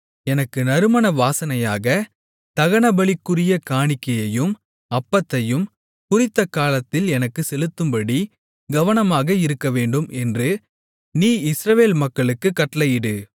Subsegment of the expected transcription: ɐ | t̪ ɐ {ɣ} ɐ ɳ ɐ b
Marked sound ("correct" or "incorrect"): correct